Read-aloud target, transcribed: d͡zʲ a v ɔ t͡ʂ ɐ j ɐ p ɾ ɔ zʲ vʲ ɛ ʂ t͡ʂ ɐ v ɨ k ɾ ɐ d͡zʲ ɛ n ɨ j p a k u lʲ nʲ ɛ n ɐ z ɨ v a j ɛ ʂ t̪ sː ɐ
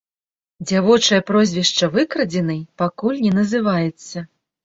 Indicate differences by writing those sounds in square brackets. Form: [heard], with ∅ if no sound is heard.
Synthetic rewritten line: d͡zʲ a v ɔ t͡ʂ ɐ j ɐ p ɾ ɔ zʲ vʲ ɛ ʂ t͡ʂ ɐ v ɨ k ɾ ɐ d͡zʲ ɛ n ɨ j p a k u lʲ nʲ ɛ n ɐ z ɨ v a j ɛ [∅] t̪ sː ɐ